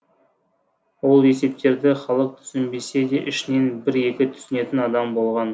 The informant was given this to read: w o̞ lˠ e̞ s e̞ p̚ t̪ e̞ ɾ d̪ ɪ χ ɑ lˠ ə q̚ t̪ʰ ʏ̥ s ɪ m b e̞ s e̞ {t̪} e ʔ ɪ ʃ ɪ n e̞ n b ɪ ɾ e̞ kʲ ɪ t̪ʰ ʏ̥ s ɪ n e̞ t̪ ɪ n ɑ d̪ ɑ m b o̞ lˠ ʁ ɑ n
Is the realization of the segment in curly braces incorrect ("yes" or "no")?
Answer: yes